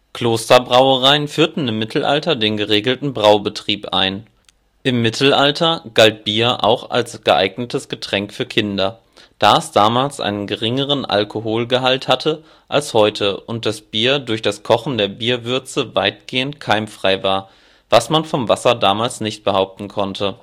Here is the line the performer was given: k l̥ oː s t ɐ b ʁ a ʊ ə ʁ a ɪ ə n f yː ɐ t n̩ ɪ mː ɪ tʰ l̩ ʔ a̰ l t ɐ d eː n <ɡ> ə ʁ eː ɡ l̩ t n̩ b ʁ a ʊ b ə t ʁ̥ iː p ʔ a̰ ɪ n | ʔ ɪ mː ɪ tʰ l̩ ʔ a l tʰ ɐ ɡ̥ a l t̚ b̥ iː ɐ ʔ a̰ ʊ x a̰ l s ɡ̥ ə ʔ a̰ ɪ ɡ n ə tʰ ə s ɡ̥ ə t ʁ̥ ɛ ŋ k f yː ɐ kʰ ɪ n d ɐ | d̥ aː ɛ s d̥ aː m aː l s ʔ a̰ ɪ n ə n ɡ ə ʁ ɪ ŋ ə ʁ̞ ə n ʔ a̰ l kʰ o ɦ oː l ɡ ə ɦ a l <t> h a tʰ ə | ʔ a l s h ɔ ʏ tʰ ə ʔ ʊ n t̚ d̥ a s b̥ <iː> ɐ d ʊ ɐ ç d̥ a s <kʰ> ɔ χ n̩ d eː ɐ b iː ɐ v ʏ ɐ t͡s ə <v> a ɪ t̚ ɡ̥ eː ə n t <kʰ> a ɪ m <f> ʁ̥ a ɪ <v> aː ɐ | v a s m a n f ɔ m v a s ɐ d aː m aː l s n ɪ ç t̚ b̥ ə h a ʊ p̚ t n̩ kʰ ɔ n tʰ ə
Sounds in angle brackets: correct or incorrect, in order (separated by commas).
correct, correct, correct, correct, correct, correct, correct, correct